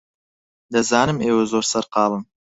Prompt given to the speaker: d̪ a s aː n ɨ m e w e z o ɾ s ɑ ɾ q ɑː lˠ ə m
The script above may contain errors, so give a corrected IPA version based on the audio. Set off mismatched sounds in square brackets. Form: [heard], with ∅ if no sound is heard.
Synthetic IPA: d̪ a [z] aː n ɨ m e w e z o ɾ s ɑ ɾ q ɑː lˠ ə m